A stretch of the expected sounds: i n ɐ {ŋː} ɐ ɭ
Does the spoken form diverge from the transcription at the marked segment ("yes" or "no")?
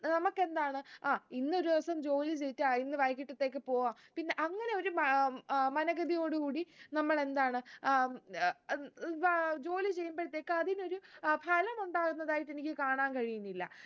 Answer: yes